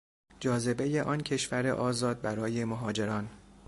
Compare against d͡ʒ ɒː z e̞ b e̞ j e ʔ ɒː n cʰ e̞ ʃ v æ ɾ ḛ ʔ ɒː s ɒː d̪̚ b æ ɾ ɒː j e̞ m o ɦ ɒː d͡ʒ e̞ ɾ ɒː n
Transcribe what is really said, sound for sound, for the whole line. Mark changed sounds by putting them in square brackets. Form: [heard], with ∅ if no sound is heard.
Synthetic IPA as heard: d͡ʒ ɒː z e̞ b e̞ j e ʔ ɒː n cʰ e̞ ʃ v æ ɾ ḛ ʔ ɒː [z] ɒː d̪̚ b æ ɾ ɒː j e̞ m o ɦ ɒː d͡ʒ e̞ ɾ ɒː n